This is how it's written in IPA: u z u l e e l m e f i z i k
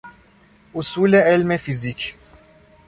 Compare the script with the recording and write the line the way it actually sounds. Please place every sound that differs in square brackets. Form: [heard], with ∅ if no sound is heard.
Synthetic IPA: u [s] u l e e l m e f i z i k